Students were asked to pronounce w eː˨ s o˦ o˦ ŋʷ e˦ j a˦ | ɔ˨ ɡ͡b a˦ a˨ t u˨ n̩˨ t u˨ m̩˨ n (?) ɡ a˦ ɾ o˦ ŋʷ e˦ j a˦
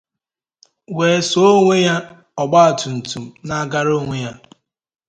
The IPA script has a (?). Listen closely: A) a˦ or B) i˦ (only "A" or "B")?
A